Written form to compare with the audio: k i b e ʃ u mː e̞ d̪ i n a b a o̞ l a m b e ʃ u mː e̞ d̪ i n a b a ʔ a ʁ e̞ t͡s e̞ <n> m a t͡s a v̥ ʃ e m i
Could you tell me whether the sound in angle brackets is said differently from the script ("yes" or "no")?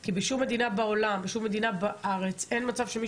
no